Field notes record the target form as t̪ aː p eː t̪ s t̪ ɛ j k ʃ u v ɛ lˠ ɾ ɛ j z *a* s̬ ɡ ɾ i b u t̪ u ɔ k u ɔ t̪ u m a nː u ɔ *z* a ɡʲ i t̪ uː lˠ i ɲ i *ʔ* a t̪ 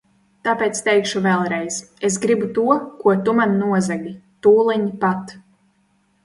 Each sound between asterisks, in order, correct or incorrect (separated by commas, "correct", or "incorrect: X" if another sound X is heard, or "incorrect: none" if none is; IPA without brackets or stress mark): incorrect: e, correct, incorrect: p